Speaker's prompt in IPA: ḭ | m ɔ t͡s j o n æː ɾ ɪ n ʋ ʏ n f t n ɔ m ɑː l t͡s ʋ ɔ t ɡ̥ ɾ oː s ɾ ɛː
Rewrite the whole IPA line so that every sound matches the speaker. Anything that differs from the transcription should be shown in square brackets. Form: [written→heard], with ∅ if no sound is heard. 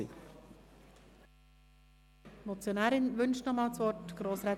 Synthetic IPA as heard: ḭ | m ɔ t͡s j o n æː ɾ ɪ n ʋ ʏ n [f→ʃ] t n ɔ m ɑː l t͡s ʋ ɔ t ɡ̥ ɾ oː s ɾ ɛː